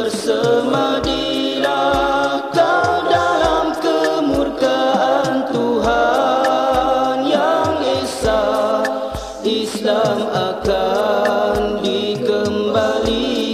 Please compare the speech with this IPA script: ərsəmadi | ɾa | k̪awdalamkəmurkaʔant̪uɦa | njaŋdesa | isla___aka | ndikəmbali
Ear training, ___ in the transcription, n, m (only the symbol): m